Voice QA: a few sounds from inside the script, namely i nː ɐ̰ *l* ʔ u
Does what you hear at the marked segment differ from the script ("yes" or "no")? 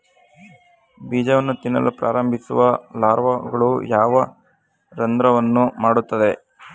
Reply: no